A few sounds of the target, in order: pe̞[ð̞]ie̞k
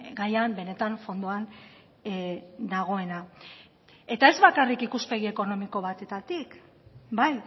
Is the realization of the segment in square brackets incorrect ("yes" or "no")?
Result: yes